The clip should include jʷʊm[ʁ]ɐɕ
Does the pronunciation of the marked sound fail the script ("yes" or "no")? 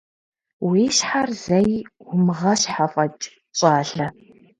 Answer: no